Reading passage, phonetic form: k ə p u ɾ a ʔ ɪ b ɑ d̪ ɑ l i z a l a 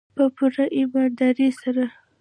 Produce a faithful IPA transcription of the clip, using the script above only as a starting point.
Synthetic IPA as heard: p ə p u ɾ a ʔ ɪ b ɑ d̪ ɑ ɾ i s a ɾ a